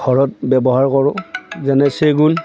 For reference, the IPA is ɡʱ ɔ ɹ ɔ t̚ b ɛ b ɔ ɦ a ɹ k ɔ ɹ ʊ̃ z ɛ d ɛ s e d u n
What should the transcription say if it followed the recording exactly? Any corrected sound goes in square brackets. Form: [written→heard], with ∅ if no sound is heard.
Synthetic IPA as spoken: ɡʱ ɔ ɹ ɔ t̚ b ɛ b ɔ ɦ a ɹ k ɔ ɹ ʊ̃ z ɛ [d→n] ɛ s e [d→ɡ] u n